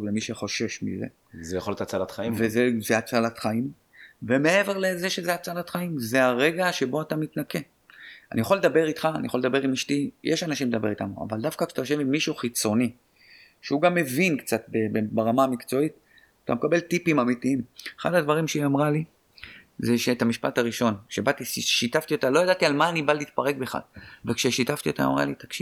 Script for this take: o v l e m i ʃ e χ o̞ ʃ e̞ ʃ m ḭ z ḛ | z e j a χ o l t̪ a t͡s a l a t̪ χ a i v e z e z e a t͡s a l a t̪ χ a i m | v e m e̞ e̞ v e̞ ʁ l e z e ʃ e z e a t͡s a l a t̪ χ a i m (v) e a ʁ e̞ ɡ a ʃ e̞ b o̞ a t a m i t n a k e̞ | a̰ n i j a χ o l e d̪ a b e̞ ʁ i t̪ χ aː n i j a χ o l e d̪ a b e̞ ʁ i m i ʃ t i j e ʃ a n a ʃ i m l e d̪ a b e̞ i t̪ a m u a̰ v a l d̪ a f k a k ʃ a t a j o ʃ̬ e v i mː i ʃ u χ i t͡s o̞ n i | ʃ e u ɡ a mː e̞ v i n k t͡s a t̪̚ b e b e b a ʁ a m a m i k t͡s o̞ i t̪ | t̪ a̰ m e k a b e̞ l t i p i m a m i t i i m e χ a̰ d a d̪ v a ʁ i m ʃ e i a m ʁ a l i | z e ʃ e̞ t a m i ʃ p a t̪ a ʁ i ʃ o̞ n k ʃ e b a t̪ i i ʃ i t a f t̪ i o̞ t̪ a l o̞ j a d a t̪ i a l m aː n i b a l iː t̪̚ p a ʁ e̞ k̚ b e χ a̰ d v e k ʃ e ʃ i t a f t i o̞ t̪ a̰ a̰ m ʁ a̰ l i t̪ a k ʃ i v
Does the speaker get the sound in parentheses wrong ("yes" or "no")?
yes